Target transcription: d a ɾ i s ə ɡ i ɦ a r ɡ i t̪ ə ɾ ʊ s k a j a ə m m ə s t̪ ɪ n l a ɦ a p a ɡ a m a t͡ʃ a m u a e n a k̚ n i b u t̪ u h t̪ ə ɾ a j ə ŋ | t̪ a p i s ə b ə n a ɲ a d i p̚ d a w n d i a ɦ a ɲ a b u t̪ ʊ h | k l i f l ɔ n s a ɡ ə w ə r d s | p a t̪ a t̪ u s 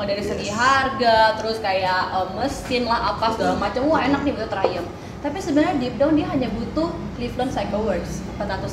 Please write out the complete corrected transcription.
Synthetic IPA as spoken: d a ɾ i s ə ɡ i ɦ a r ɡ a t̪ ə ɾ ʊ s k a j a ə m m ə s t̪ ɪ n l a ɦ a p a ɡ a m a t͡ʃ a m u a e n a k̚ n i b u t̪ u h t̪ ə ɾ a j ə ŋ | t̪ a p i s ə b ə n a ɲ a d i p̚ d a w n d i a ɦ a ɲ a b u t̪ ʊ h | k l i f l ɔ n s a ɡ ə w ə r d s | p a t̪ a t̪ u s